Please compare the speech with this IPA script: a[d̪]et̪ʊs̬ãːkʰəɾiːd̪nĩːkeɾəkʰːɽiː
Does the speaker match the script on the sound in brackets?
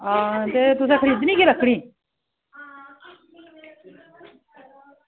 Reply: no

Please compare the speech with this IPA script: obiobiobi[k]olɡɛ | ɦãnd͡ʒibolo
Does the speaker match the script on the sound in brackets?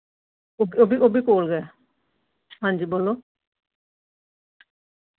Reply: yes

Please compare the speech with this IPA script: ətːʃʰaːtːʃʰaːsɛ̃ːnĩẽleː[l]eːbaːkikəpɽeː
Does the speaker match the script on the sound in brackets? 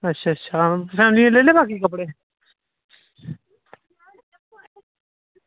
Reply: yes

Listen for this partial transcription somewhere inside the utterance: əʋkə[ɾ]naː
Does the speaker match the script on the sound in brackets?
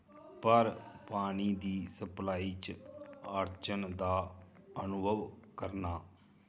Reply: yes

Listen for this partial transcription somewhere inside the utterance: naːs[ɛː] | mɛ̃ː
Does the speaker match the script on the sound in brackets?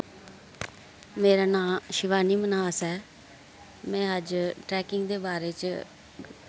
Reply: yes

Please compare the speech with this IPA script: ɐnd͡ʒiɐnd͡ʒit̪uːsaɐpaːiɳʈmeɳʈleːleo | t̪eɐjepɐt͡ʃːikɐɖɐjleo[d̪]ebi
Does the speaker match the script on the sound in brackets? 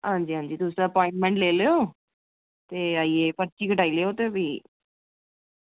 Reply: no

